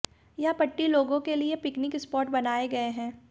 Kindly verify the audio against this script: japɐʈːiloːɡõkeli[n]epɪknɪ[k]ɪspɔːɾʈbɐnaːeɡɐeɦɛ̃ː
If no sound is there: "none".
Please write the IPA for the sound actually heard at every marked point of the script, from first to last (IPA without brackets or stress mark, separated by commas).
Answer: none, k